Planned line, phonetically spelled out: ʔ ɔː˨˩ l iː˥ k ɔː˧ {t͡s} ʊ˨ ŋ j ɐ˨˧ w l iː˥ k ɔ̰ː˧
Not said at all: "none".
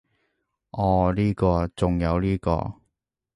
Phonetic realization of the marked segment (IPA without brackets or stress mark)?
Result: t͡s